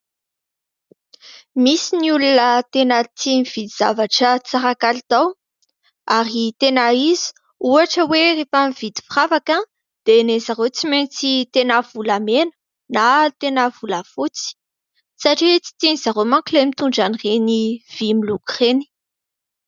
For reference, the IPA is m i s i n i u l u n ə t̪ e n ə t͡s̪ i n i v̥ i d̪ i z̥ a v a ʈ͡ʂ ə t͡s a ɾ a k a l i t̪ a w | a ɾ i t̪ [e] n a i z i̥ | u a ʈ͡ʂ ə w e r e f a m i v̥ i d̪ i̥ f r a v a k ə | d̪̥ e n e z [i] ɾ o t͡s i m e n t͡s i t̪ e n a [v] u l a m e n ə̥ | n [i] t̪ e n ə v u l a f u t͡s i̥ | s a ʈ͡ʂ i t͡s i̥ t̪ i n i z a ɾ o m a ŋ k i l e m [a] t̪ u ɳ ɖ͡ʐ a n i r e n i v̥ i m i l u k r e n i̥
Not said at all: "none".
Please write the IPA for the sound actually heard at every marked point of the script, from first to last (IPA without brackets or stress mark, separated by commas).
e, a, v, a, i